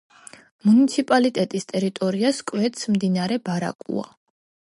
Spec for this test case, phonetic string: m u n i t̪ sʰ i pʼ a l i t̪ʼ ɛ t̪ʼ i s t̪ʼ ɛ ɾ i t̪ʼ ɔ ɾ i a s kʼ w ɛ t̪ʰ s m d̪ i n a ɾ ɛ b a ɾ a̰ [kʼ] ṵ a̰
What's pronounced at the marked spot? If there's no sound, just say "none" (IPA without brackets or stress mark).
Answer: kʼ